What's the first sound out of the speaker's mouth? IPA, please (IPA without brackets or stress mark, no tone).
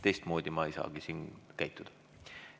t̪